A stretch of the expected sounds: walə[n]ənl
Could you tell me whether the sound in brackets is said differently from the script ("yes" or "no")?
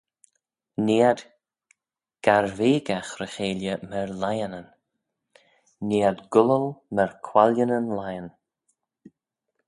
no